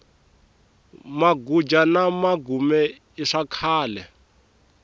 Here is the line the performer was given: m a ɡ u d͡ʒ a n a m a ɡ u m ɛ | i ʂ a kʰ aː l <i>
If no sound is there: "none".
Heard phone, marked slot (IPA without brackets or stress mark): ɛ